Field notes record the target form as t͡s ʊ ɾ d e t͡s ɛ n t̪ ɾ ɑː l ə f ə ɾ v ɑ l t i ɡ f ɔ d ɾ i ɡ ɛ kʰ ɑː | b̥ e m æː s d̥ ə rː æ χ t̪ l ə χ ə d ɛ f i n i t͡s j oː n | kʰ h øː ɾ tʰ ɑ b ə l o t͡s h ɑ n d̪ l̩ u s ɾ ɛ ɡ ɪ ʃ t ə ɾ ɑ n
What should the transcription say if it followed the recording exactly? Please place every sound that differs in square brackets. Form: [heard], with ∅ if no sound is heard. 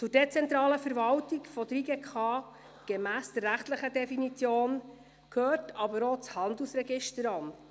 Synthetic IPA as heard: t͡s ʊ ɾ d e t͡s ɛ n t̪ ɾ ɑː l ə f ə ɾ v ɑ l t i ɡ f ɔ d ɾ i ɡ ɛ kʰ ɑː | [ɡ̥] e m æː s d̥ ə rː æ χ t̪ l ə χ ə d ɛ f i n i t͡s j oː n | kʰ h øː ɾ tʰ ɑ b ə [ɾ] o t͡s h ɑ n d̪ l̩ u s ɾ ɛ ɡ ɪ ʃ t ə ɾ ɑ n